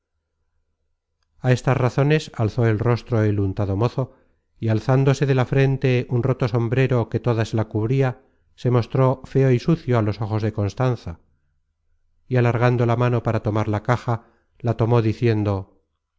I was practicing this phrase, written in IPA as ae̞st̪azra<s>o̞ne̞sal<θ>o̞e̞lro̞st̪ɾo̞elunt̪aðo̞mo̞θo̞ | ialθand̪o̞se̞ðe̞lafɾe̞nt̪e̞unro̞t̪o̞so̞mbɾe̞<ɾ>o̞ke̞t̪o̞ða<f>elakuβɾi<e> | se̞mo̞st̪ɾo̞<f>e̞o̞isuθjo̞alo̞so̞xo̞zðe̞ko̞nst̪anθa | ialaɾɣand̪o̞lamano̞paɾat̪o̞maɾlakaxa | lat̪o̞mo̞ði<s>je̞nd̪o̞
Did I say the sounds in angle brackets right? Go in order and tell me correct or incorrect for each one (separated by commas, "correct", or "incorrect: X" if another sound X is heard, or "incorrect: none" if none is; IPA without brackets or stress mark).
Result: incorrect: θ, correct, correct, incorrect: s, incorrect: a, correct, incorrect: θ